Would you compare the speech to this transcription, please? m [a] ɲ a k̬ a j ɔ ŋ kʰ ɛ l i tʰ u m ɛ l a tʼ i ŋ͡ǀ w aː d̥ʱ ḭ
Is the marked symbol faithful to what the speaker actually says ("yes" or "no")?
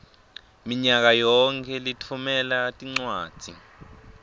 no